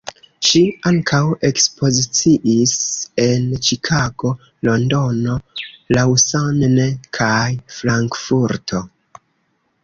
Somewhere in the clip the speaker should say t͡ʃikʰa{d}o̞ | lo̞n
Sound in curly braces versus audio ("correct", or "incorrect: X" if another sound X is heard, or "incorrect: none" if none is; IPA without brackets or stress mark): incorrect: ɡ